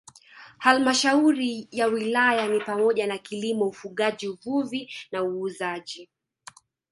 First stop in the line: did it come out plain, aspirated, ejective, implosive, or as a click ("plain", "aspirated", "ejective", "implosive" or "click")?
plain